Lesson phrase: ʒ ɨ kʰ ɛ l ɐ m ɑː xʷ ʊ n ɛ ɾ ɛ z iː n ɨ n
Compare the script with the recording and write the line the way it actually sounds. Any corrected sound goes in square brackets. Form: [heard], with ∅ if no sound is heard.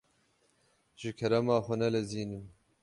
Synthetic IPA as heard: ʒ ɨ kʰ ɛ [ɾ] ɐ m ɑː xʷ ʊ n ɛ [l] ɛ z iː n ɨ [m]